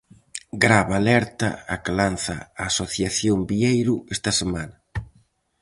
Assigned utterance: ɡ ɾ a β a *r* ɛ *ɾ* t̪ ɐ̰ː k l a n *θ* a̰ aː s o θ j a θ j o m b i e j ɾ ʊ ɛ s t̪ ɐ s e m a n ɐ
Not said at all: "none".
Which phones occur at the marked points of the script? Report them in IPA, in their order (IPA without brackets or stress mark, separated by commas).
l, ɾ, θ